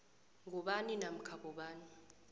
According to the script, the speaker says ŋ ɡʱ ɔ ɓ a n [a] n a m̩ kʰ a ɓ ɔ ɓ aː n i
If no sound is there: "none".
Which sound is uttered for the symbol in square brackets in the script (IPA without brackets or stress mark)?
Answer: i